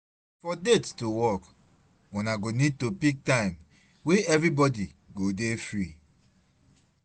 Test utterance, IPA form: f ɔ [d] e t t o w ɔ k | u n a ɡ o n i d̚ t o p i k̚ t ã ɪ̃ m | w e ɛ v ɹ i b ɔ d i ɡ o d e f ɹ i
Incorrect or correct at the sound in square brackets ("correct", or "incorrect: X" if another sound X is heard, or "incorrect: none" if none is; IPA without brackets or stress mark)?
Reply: correct